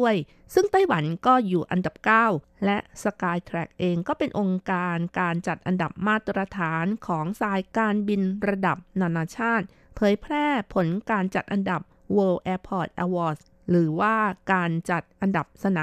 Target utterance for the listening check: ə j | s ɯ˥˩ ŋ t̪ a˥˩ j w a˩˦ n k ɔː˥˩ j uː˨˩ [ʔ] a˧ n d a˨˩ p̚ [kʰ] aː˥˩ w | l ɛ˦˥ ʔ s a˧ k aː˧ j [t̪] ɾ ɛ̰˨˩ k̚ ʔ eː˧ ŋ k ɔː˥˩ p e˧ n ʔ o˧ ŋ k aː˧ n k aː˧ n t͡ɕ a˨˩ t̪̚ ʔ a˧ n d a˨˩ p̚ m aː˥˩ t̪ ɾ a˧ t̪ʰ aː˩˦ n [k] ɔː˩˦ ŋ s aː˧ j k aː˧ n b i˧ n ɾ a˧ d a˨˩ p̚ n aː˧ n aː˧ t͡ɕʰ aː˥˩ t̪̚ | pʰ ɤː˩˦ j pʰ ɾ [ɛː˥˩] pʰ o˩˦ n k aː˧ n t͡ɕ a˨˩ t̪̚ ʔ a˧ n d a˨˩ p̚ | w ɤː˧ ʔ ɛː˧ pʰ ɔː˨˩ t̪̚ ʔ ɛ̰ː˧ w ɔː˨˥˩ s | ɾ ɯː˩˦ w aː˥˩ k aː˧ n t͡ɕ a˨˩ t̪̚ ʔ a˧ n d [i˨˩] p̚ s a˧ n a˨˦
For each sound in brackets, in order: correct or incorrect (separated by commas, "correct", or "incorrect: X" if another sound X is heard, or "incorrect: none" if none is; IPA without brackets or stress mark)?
correct, incorrect: k, incorrect: t̪ʰ, incorrect: kʰ, correct, incorrect: a˨˩